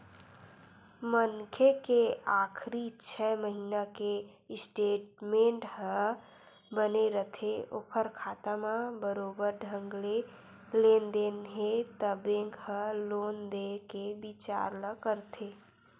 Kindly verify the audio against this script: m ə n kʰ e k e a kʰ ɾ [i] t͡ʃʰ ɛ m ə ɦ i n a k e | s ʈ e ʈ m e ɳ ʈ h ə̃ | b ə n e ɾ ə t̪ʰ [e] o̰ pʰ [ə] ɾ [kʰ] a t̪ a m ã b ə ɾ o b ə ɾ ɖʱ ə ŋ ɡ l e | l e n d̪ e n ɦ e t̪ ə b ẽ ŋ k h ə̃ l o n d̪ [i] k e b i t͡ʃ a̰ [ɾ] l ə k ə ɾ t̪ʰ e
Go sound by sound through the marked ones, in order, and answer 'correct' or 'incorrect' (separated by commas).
correct, correct, correct, correct, incorrect, correct